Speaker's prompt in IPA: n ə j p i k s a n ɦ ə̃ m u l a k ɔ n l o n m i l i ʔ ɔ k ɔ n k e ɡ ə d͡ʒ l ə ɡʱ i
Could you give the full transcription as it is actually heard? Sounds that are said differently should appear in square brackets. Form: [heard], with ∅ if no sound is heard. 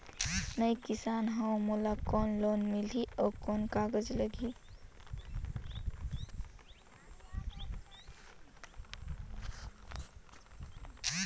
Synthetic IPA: n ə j [k] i [∅] s a n ɦ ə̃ m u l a k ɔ n l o n m i l i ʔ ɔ k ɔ n k [a] ɡ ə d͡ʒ l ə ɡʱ i